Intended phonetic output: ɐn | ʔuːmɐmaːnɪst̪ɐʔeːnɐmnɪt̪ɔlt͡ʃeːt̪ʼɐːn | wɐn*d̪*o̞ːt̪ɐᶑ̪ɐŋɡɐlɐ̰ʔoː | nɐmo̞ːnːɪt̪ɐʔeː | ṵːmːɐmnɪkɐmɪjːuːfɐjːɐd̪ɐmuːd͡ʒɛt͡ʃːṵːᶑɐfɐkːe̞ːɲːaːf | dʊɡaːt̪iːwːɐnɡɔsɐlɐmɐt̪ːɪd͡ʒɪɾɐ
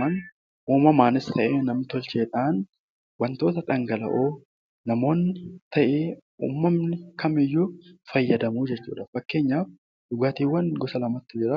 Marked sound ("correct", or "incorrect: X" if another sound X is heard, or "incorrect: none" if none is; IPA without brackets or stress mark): incorrect: t̪